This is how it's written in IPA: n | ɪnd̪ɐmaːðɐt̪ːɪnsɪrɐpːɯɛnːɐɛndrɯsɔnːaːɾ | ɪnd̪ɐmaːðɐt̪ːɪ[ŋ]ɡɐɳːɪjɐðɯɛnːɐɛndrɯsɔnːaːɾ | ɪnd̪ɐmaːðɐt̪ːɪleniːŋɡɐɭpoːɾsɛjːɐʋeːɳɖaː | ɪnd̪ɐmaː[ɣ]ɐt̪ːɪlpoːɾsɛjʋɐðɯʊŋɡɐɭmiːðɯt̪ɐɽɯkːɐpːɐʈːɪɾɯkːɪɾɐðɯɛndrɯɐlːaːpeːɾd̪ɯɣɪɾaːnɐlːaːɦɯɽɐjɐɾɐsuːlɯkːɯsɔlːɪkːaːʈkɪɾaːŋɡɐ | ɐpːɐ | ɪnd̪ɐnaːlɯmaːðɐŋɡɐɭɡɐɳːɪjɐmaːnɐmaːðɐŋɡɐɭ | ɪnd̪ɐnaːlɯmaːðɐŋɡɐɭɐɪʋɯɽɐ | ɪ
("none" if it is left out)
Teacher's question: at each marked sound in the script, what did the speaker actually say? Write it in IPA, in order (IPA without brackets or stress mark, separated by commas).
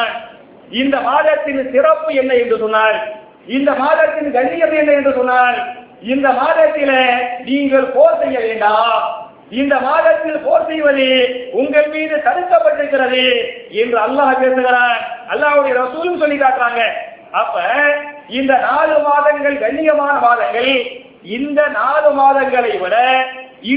n, ð